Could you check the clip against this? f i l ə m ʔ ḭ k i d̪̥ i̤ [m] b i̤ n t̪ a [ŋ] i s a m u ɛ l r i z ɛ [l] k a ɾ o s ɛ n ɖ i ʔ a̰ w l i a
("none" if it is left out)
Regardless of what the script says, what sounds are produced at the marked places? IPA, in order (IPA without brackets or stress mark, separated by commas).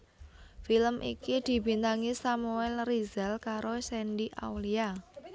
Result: none, ŋ, l